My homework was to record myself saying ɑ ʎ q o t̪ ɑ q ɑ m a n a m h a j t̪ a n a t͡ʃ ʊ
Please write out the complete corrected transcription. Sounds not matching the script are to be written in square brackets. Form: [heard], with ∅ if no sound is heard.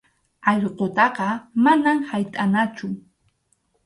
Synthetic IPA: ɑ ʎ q o t̪ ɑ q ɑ m a n a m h a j [t̪ʼ] a n a t͡ʃ ʊ